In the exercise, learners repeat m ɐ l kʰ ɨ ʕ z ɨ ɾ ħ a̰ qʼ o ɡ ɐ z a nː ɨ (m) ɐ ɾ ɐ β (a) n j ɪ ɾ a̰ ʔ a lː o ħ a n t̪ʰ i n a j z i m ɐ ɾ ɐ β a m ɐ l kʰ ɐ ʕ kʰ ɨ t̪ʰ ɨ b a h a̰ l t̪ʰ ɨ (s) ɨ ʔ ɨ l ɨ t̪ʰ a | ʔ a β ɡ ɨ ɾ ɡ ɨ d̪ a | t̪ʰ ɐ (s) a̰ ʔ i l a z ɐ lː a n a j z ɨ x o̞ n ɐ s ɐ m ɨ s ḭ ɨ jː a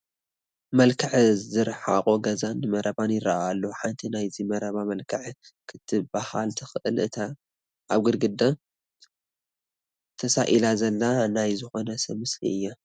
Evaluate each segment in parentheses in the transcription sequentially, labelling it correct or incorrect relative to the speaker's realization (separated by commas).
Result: correct, correct, incorrect, correct